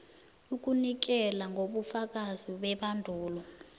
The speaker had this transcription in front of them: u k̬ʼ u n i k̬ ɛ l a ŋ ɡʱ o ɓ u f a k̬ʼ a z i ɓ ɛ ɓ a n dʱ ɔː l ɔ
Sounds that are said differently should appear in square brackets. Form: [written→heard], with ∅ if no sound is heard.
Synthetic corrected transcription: u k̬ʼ u n i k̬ ɛ l a ŋ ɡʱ o ɓ u f a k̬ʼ a z i ɓ ɛ ɓ a n dʱ [ɔː→uː] l ɔ